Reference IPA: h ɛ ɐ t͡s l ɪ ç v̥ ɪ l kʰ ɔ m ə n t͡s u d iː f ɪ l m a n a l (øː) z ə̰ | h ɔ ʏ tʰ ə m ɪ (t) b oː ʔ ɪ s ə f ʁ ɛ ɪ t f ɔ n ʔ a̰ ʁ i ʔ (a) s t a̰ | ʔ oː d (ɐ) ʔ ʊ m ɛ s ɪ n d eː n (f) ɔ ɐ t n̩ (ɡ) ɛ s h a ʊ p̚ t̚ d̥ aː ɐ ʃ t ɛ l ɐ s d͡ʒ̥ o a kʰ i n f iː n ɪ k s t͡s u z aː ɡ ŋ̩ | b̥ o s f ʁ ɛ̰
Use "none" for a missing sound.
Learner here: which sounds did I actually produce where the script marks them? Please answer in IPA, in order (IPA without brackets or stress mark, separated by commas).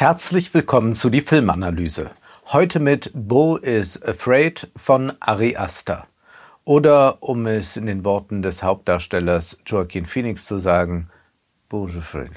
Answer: yː, t, a, ɐ, v, d